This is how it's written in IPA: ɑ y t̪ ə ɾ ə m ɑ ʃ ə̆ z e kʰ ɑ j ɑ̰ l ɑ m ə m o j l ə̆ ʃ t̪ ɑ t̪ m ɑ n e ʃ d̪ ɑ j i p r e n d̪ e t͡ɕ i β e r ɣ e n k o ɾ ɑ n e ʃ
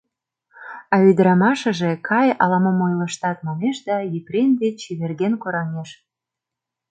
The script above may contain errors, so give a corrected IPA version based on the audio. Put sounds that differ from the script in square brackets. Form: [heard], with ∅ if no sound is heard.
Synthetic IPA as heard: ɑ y [d̪] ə ɾ [ɑ] m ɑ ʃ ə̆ [ʒ] e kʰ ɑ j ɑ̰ l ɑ m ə m o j l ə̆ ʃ t̪ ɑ t̪ m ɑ n e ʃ d̪ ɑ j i p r e n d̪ e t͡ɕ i β e r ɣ e n k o ɾ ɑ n e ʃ